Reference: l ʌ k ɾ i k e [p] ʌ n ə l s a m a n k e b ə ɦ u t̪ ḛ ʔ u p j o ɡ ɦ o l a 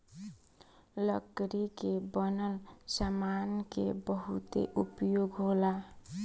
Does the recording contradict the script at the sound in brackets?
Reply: yes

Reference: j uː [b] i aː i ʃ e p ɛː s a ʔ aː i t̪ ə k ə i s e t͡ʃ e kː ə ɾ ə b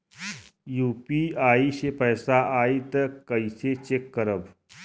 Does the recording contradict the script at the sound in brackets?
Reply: yes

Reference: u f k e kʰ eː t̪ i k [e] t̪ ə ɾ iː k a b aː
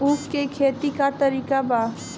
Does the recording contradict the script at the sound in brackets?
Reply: yes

